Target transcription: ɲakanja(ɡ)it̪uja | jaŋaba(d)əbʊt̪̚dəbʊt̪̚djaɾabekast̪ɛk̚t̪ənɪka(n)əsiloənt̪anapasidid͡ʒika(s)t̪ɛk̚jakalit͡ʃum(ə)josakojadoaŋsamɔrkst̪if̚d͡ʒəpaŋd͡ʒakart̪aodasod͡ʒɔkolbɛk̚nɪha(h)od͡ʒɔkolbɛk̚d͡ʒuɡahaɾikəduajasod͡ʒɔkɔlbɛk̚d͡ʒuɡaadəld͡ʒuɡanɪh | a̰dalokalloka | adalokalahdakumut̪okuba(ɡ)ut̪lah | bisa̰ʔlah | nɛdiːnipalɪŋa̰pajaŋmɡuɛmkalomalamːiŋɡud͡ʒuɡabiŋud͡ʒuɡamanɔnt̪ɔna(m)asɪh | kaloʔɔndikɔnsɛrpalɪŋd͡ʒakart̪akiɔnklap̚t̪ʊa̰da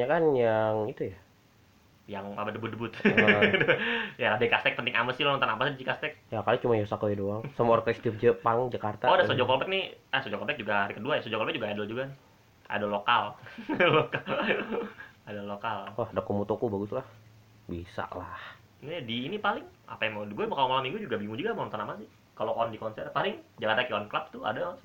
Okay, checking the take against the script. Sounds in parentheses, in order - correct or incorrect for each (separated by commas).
incorrect, correct, incorrect, correct, incorrect, incorrect, correct, correct